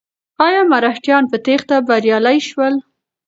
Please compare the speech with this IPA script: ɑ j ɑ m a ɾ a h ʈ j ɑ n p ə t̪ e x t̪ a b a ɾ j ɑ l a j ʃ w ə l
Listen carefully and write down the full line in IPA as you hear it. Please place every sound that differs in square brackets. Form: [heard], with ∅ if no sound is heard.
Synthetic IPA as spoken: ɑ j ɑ m a ɾ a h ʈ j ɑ n p ə t̪ e x t̪ a b a ɾ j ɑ l a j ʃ w ə l